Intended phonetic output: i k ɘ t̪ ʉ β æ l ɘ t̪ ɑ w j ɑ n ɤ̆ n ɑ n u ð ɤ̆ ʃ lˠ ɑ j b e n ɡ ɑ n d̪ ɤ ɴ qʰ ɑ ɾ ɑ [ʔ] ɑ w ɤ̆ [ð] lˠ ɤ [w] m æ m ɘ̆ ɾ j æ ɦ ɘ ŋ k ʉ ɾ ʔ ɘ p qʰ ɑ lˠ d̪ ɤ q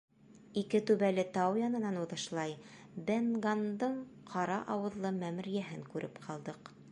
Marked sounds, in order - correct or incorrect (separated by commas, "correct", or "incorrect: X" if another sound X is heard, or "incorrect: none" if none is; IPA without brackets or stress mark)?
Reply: correct, correct, incorrect: none